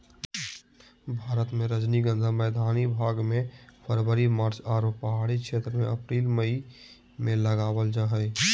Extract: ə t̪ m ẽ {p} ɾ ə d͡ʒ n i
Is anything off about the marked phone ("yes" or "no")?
yes